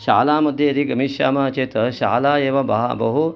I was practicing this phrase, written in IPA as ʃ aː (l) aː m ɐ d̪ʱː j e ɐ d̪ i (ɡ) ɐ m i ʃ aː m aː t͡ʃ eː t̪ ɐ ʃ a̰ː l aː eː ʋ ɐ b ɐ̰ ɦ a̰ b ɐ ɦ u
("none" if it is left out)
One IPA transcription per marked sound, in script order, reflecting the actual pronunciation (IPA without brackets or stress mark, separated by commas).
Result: l, ɡ